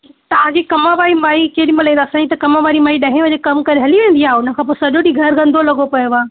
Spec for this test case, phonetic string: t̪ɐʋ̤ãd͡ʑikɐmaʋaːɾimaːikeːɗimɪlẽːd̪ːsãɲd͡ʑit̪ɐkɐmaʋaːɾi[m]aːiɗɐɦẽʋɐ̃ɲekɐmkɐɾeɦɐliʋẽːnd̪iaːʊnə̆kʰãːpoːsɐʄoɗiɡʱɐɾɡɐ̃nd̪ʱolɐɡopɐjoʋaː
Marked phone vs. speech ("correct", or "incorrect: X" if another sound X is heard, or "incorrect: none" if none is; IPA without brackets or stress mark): correct